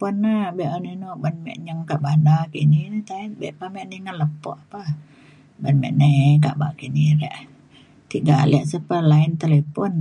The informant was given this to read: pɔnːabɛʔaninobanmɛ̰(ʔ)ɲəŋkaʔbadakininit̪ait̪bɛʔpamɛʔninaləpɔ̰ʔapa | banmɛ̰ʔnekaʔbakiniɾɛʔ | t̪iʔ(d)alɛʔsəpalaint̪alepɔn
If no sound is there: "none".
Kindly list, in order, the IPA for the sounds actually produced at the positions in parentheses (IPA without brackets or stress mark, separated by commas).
ʔ, ɡ